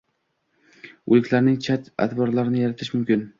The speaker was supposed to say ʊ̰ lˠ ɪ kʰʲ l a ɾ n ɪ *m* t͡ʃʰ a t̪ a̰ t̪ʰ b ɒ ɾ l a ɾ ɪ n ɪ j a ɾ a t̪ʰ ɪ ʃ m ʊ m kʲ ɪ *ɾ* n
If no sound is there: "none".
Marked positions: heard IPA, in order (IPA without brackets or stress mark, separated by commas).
ŋ, none